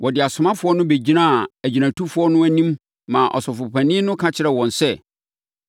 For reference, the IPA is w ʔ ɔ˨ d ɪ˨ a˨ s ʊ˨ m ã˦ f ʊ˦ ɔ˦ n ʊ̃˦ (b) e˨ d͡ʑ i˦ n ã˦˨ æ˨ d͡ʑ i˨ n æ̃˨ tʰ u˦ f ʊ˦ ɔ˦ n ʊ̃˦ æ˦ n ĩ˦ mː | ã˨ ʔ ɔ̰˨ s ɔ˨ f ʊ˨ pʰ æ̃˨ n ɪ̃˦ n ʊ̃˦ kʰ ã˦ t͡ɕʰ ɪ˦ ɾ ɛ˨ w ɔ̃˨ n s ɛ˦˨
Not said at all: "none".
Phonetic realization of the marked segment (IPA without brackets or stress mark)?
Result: b